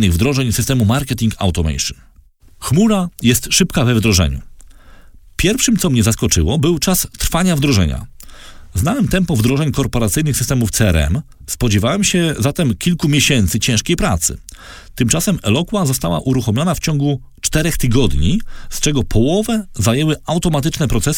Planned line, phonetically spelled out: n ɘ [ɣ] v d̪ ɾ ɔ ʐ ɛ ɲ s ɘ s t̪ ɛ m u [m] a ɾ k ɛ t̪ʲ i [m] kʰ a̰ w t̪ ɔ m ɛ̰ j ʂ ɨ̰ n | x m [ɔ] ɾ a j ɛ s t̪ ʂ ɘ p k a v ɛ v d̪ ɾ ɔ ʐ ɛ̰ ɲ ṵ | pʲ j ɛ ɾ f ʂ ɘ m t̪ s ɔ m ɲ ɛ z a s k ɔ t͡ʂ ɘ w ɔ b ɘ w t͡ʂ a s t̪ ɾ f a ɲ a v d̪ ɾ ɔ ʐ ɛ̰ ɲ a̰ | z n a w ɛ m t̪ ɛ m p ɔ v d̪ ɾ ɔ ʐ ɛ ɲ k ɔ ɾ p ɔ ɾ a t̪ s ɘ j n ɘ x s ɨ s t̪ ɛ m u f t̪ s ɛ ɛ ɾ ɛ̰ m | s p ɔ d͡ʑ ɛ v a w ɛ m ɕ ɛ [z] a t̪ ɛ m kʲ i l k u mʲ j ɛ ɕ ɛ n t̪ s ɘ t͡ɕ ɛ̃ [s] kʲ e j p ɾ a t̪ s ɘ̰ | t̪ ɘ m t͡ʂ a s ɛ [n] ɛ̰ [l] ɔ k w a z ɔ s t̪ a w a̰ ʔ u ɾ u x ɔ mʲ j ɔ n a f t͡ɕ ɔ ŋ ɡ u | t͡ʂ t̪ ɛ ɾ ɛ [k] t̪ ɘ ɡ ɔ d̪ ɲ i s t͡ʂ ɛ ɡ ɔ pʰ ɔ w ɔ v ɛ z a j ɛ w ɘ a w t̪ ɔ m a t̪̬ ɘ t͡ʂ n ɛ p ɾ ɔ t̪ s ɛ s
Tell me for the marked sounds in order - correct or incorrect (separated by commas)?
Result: correct, correct, incorrect, incorrect, correct, incorrect, incorrect, correct, incorrect